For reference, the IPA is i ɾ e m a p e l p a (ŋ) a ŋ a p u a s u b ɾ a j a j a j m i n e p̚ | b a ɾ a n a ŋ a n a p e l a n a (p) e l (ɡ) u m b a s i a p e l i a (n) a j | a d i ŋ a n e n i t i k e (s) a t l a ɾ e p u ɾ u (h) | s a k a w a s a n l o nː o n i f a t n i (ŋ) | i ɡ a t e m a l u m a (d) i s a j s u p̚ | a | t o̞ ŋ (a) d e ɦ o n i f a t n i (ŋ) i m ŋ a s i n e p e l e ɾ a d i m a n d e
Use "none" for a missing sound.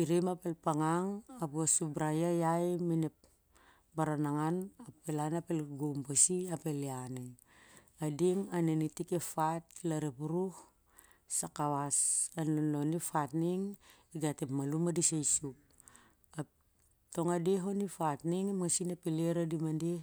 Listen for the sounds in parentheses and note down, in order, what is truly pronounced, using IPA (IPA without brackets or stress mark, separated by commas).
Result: ŋ, p, ɡ, n, f, h, ŋ, d, a, ŋ